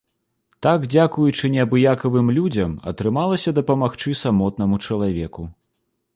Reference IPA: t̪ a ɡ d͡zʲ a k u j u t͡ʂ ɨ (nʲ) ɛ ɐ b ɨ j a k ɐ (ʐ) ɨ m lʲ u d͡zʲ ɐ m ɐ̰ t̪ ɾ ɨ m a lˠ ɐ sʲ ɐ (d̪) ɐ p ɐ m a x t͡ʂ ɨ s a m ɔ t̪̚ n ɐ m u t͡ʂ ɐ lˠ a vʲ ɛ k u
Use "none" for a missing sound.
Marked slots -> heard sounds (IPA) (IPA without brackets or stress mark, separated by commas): nʲ, v, d̪